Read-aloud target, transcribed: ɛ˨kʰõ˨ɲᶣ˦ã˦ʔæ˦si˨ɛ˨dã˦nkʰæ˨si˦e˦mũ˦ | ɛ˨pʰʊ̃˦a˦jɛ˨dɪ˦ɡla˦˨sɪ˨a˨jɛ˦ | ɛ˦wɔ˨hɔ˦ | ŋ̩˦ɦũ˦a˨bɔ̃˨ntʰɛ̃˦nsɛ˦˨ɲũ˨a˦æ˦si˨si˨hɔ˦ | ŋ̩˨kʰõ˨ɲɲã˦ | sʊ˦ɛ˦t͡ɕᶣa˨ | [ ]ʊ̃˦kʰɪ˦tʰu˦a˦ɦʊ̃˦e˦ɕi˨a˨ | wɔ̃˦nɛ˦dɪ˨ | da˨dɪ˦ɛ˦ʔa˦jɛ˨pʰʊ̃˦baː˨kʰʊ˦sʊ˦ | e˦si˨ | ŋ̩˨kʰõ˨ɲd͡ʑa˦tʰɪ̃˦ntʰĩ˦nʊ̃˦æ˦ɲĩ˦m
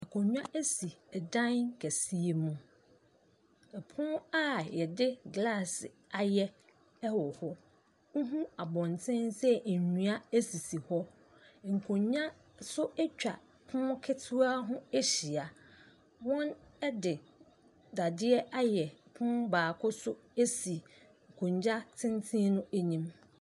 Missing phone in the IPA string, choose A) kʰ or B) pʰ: B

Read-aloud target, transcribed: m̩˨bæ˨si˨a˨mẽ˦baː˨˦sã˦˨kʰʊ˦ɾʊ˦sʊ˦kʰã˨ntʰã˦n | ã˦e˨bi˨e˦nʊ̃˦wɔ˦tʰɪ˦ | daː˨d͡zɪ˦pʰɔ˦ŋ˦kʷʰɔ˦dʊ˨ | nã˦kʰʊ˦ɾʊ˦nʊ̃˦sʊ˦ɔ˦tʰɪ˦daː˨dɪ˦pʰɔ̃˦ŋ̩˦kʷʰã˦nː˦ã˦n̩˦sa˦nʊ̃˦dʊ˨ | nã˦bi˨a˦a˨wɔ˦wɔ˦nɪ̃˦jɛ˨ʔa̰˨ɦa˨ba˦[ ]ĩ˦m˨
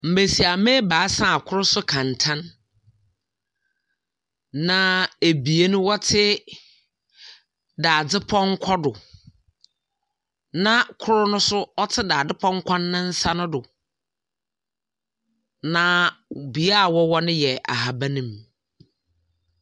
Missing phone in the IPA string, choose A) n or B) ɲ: A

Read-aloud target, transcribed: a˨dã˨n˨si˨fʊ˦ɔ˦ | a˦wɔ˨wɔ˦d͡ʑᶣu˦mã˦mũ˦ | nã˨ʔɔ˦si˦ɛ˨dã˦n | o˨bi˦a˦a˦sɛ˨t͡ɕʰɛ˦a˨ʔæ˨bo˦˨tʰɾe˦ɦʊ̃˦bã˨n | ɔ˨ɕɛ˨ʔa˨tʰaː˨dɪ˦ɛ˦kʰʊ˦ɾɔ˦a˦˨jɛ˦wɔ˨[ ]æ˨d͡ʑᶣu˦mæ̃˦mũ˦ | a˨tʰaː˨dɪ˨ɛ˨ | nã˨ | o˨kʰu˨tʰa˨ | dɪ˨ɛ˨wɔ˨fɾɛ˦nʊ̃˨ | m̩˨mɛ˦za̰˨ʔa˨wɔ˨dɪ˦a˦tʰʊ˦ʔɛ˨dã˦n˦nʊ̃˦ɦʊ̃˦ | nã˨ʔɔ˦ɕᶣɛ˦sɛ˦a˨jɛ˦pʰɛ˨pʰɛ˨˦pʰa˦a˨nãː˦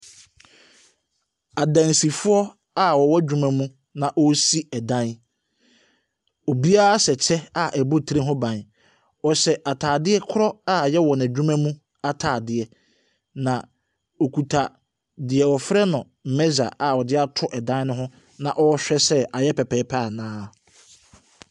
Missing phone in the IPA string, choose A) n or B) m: A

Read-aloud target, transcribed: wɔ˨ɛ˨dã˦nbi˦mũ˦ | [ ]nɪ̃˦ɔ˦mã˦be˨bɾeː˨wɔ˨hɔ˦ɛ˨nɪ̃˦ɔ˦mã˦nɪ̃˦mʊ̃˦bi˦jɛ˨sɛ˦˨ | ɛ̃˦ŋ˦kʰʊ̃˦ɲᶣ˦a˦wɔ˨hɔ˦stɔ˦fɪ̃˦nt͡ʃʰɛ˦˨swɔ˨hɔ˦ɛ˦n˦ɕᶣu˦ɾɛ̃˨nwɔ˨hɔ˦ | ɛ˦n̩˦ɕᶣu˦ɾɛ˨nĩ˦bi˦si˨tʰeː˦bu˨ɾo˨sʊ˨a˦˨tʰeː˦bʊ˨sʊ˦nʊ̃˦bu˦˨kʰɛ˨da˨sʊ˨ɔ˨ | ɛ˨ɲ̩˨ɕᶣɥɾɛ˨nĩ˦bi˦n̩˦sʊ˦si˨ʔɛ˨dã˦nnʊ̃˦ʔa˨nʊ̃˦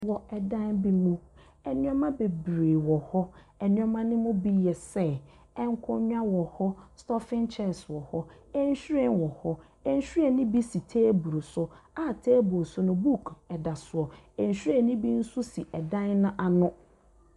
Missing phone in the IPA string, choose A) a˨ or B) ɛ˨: B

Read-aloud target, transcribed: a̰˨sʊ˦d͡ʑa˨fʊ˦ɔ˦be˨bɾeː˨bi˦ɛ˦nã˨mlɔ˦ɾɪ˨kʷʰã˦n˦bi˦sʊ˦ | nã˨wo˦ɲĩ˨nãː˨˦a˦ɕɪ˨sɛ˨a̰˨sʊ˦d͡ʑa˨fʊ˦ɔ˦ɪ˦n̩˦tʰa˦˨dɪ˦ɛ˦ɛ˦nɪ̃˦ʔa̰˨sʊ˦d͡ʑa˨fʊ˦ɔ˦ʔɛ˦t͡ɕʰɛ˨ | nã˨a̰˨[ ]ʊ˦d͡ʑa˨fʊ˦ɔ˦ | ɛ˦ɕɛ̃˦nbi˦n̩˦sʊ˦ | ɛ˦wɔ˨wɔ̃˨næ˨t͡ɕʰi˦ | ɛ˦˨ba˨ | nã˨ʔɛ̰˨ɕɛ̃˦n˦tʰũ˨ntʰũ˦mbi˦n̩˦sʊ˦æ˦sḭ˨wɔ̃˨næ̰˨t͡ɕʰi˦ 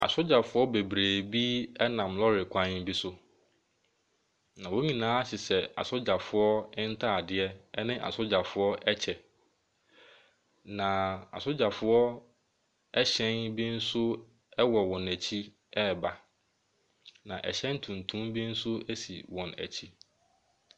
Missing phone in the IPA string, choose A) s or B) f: A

